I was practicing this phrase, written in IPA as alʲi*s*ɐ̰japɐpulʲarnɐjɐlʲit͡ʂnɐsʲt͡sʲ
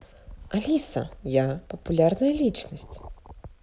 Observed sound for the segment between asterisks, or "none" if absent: s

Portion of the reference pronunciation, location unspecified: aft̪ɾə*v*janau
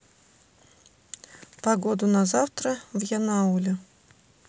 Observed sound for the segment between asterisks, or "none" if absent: v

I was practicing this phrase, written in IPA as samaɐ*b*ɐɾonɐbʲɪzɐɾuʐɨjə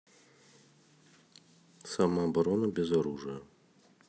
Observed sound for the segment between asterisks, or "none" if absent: b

